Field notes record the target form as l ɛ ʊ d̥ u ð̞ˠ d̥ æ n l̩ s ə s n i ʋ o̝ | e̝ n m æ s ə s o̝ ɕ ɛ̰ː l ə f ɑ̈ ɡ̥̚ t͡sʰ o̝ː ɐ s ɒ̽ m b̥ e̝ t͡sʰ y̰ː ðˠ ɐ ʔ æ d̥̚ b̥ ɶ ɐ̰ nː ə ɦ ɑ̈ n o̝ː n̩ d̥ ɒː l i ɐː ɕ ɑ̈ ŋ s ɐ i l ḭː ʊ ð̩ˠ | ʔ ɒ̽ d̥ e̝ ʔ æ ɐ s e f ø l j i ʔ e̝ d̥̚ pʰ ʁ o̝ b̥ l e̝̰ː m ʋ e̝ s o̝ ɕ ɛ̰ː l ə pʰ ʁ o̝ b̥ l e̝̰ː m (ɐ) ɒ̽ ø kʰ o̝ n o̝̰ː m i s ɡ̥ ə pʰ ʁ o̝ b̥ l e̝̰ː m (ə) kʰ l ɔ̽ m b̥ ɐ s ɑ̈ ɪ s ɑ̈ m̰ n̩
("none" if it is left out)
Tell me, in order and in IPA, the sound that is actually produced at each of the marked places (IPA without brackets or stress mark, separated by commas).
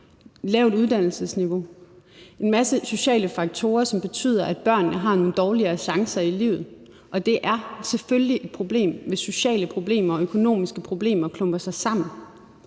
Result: ɐ, ɐ